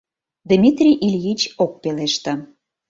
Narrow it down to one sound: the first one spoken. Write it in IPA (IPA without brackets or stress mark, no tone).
d̪